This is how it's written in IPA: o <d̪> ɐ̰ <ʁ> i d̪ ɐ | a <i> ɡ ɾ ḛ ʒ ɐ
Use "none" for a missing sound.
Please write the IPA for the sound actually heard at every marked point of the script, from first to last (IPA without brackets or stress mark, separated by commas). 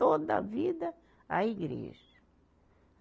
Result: d̪, v, i